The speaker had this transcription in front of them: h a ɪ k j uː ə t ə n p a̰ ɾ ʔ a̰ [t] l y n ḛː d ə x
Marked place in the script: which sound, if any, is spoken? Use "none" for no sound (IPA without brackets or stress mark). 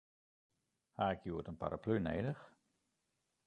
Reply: p